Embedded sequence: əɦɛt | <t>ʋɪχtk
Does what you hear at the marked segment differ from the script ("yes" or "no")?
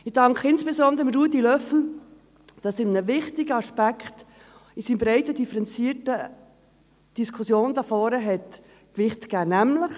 yes